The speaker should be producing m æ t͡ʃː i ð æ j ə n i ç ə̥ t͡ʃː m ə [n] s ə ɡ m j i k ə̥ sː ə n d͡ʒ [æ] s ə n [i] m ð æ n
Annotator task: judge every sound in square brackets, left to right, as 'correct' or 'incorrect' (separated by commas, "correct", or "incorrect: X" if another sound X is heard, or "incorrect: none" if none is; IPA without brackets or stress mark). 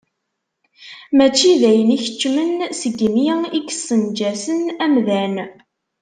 correct, correct, incorrect: æ